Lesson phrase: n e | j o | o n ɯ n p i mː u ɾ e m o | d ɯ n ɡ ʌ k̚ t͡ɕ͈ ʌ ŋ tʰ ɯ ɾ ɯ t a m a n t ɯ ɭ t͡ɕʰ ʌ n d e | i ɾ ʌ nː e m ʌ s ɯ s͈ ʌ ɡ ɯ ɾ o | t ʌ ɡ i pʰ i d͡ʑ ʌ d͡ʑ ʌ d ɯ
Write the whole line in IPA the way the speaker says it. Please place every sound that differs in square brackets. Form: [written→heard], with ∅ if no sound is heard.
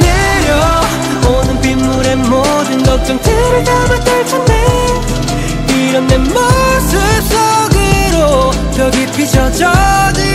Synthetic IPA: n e | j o | o n ɯ n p i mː u ɾ e m o | d ɯ n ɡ ʌ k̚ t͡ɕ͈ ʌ ŋ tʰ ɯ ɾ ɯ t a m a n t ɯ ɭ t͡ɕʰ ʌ n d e | i ɾ ʌ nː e m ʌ s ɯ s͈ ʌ ɡ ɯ ɾ o | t ʌ ɡ i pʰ i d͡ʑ ʌ d͡ʑ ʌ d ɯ

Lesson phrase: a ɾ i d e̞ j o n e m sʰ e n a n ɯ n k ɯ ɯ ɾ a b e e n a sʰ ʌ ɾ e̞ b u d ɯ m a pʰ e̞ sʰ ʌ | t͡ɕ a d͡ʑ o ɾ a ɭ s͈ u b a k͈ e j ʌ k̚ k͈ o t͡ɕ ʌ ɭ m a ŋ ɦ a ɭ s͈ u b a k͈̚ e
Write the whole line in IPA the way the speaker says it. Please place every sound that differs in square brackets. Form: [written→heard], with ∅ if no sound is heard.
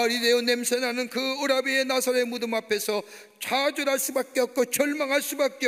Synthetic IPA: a ɾ i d e̞ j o n e m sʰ e n a n ɯ n k ɯ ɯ ɾ a b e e n a sʰ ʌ ɾ e̞ [b→m] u d ɯ m a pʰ e̞ sʰ ʌ | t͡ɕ a d͡ʑ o ɾ a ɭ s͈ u b a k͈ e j ʌ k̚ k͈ o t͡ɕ ʌ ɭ m a ŋ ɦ a ɭ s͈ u b a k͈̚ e

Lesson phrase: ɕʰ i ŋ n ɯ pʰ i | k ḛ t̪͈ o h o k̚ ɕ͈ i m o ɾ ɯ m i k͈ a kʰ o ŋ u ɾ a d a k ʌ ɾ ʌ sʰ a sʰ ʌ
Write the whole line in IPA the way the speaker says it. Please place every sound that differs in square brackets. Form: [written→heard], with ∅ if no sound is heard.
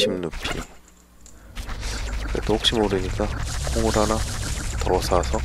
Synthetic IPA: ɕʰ i [ŋ→m] n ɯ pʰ i | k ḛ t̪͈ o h o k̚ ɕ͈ i m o ɾ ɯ [m→ɲ] i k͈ a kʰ o ŋ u ɾ a [d→n] a [k→t] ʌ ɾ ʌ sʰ a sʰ ʌ

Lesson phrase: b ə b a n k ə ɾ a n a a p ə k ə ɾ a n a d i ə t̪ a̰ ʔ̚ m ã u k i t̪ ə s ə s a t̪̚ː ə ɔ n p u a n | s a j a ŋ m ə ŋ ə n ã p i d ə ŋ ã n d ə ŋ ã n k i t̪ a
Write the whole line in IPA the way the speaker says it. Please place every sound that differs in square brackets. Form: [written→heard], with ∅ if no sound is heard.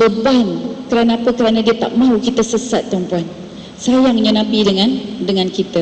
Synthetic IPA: b ə b a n k ə ɾ a n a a p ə k ə ɾ a n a d i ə t̪ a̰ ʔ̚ m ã u k i t̪ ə s ə s a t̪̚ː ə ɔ [n→m] p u a n | s a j a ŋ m ə [ŋ→ɲ] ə n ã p i d ə ŋ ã n d ə ŋ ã n k i t̪ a

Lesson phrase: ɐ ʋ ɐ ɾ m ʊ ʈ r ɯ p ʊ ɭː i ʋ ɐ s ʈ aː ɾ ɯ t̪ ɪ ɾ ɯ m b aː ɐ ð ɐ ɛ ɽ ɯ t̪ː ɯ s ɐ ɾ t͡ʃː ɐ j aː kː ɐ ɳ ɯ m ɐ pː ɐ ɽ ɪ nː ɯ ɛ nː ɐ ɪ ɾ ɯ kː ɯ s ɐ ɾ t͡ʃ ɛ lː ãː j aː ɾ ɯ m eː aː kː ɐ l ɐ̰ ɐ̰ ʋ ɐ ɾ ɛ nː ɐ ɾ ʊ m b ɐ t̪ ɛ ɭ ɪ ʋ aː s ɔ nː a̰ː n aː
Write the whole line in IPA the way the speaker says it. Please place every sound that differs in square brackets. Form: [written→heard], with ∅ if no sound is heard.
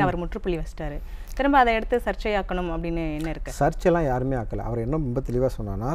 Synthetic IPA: ɐ ʋ ɐ ɾ m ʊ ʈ r ɯ p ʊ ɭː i ʋ ɐ s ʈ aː ɾ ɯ t̪ ɪ ɾ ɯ m b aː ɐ ð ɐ ɛ ɽ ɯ t̪ː ɯ s ɐ ɾ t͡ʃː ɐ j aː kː ɐ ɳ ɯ m ɐ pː ɐ ɽ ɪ nː ɯ ɛ nː ɐ ɪ ɾ ɯ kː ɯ s ɐ ɾ t͡ʃ ɛ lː ãː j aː ɾ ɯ m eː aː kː ɐ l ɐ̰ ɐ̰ ʋ ɐ ɾ ɛ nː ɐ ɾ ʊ m b ɐ t̪ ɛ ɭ ɪ ʋ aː s ɔ nː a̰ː n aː

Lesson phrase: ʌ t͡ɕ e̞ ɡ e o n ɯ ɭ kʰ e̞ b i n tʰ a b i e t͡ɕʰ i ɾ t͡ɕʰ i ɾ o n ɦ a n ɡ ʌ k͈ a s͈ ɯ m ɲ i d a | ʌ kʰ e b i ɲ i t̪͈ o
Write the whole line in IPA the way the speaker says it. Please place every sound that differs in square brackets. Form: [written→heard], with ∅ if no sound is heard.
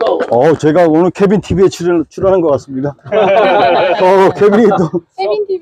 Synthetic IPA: ʌ t͡ɕ e̞ ɡ [e→a] o n ɯ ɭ kʰ e̞ b i n tʰ [a→i] b i e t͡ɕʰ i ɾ t͡ɕʰ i ɾ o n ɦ a n ɡ ʌ k͈ a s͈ ɯ m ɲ i d a | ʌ kʰ e b i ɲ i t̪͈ o

